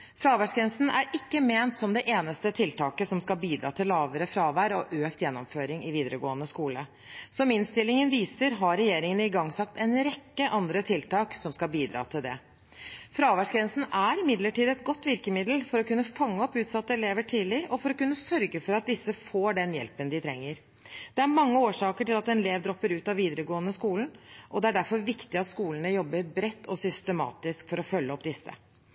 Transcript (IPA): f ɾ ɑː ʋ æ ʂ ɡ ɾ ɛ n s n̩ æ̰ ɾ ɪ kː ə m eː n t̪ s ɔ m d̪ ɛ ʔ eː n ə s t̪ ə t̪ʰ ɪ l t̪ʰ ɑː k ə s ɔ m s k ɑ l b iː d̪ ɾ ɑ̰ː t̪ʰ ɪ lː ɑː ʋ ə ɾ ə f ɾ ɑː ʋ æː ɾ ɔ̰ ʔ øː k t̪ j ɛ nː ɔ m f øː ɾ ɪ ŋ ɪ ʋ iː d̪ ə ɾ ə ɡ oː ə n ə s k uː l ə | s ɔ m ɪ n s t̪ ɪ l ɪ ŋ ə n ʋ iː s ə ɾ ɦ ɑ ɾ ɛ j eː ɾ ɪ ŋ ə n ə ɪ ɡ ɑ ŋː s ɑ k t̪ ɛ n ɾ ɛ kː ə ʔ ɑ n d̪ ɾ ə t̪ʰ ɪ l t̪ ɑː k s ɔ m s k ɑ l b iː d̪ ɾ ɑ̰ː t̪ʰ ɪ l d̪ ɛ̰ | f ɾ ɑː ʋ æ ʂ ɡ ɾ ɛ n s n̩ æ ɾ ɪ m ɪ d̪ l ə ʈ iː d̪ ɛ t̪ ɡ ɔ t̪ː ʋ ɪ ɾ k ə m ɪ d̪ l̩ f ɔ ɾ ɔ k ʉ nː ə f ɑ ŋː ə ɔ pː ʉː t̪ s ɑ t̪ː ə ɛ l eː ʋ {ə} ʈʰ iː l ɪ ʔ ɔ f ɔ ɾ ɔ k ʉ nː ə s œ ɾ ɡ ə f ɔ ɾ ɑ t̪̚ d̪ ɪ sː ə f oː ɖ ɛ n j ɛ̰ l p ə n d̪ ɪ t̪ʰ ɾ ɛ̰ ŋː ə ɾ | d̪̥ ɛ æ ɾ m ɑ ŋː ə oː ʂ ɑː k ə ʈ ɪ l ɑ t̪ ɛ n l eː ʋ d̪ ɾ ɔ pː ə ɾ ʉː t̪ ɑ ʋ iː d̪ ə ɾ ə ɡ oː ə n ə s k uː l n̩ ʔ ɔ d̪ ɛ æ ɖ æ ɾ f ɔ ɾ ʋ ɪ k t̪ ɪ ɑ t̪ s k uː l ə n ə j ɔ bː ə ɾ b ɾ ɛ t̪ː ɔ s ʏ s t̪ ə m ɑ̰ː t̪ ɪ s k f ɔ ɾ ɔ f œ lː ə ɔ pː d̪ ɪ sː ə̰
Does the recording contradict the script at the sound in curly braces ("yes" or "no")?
no